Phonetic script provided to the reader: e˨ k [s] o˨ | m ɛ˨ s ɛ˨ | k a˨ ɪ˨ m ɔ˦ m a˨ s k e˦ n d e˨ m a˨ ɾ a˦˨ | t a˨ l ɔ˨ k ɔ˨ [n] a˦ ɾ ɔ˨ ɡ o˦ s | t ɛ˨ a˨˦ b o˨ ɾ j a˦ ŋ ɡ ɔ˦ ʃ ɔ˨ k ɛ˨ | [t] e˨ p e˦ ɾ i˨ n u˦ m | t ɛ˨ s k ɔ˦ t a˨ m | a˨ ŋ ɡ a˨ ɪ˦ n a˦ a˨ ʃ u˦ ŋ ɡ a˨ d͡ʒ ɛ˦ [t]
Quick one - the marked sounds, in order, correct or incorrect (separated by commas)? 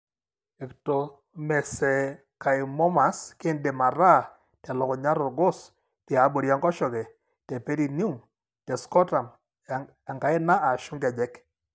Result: incorrect, incorrect, correct, incorrect